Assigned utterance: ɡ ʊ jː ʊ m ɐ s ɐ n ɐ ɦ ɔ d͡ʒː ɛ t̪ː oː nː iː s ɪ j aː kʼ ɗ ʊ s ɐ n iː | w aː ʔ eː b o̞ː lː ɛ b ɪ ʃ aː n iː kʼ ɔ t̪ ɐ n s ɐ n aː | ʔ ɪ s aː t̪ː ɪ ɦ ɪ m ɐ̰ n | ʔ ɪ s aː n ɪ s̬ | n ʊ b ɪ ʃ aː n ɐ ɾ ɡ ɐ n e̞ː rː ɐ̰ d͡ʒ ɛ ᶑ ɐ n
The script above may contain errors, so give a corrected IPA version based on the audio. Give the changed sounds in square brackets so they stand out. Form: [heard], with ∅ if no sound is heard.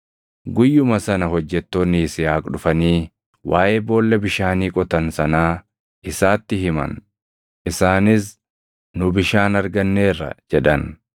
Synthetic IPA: ɡ ʊ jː ʊ m ɐ s ɐ n ɐ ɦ ɔ d͡ʒː ɛ t̪ː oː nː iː s ɪ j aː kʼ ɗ ʊ [f] ɐ n iː | w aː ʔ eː b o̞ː lː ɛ b ɪ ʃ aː n iː kʼ ɔ t̪ ɐ n s ɐ n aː | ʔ ɪ s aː t̪ː ɪ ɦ ɪ m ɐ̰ n | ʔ ɪ s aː n ɪ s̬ | n ʊ b ɪ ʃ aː n ɐ ɾ ɡ ɐ [nː] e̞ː rː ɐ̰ d͡ʒ ɛ ᶑ ɐ n